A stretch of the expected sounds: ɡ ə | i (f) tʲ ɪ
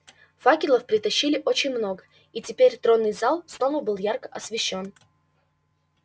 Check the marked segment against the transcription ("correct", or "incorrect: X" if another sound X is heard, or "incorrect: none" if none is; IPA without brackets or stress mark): incorrect: none